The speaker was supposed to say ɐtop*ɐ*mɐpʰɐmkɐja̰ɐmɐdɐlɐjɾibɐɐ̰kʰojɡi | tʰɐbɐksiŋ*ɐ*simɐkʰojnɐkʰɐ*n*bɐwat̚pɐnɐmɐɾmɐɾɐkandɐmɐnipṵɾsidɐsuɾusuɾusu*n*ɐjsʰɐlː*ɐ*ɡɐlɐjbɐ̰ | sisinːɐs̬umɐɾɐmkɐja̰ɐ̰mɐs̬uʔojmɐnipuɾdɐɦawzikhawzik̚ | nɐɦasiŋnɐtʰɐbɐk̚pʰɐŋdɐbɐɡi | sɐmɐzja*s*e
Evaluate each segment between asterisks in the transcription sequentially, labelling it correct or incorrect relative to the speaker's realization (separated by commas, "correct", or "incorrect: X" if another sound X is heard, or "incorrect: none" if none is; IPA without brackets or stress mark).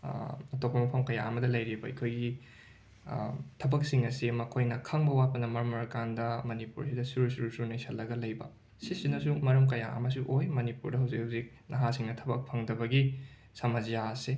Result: correct, correct, incorrect: ŋ, correct, correct, correct